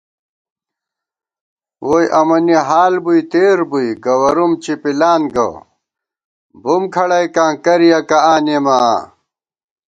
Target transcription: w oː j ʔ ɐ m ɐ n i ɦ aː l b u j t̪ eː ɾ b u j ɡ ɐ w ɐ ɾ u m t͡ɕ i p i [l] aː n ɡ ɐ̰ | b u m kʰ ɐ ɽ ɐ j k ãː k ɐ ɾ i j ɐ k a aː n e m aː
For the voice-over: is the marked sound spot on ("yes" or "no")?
yes